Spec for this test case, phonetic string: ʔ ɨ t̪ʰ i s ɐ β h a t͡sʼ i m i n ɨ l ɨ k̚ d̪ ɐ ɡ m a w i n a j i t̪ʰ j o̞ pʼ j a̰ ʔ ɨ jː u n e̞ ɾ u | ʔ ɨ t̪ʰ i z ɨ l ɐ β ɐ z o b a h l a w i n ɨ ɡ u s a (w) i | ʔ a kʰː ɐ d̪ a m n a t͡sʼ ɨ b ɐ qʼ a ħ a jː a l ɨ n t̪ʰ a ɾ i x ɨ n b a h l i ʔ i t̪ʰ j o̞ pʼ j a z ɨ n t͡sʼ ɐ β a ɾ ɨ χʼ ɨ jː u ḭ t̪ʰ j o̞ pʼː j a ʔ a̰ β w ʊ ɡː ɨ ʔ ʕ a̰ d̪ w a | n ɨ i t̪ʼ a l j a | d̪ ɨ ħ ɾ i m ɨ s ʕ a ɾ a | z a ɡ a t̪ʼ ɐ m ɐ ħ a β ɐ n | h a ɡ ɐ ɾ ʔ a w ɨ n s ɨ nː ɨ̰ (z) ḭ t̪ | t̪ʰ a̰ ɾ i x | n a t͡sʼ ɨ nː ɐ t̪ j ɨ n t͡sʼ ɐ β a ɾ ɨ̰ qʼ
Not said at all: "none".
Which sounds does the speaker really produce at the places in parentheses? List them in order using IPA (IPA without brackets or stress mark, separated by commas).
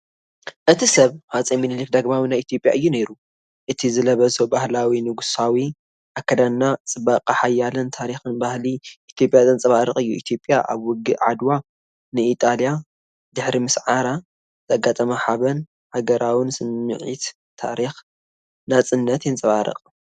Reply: w, ʕ